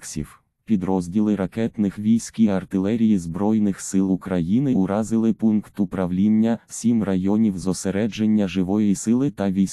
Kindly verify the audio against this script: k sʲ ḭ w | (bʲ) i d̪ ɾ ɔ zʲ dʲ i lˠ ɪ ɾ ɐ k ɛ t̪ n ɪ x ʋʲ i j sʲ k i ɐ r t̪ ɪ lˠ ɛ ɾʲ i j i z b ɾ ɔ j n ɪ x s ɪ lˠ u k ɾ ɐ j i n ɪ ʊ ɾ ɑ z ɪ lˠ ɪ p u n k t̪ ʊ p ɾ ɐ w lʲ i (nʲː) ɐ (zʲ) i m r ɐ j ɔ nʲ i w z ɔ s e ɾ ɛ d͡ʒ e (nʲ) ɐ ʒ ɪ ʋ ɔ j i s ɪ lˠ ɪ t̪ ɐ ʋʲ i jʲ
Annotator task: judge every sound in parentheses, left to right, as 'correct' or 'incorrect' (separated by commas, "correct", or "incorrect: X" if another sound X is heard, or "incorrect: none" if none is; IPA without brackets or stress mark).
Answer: incorrect: pʲ, correct, incorrect: sʲ, incorrect: nʲː